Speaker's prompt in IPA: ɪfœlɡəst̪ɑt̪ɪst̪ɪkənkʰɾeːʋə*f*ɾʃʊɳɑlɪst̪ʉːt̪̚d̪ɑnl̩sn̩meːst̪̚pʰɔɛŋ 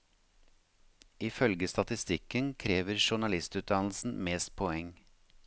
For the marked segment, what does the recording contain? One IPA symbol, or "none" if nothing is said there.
none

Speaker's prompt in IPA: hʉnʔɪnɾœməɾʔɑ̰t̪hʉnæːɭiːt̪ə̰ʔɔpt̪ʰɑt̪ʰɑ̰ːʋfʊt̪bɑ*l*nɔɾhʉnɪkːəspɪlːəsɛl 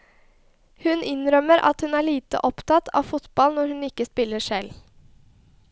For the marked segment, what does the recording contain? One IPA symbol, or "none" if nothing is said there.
l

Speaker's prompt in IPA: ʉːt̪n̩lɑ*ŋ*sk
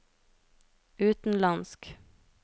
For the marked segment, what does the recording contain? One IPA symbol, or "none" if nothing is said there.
n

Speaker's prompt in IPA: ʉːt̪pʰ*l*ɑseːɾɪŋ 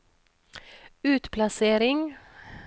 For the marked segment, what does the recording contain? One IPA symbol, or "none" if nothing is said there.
l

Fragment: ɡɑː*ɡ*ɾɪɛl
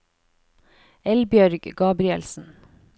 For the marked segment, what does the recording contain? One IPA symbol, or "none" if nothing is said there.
b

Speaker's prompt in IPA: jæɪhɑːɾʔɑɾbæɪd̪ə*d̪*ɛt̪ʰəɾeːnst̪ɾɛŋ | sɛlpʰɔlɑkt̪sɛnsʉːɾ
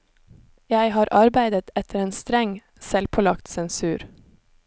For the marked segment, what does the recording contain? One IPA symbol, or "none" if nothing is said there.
t̪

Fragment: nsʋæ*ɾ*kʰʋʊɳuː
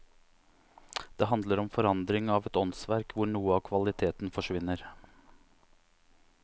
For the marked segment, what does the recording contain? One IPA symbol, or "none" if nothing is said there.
ɾ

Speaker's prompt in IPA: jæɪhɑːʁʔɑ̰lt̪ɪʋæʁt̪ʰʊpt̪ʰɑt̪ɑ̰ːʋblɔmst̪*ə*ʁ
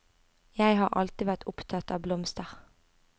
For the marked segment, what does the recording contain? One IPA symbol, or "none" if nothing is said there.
ə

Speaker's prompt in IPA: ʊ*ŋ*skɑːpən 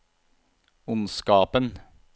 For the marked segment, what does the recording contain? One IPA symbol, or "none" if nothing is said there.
n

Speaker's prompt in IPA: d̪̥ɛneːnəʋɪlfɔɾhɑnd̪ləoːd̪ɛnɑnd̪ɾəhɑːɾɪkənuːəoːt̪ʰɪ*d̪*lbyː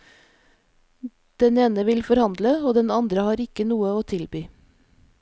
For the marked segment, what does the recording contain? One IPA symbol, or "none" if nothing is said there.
none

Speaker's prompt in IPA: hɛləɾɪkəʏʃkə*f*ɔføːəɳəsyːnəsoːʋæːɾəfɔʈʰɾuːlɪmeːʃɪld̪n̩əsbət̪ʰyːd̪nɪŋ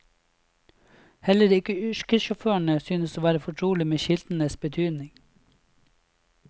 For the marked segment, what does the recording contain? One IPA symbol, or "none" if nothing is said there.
ʃ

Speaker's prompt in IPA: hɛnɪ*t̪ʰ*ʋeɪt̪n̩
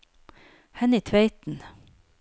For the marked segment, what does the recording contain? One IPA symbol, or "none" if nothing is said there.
t̪ʰ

